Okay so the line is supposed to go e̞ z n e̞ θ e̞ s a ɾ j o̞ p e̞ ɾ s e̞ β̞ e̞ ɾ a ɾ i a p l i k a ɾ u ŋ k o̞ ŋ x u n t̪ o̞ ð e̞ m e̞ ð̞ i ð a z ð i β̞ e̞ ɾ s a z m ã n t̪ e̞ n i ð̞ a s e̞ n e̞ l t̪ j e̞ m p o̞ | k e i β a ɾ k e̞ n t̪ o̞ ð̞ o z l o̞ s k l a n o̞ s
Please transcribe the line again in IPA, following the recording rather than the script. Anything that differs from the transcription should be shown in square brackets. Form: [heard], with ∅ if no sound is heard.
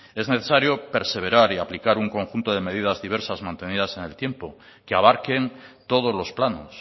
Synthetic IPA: e̞ z n e̞ θ e̞ s a ɾ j o̞ p e̞ ɾ s e̞ β̞ e̞ ɾ a ɾ i a p l i k a ɾ u ŋ k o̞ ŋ x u n t̪ o̞ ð e̞ m e̞ ð̞ i ð a z ð i β̞ e̞ ɾ s a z m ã n t̪ e̞ n i ð̞ a s e̞ n e̞ l t̪ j e̞ m p o̞ | k e [a] β a ɾ k e̞ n t̪ o̞ ð̞ o z l o̞ s [p] l a n o̞ s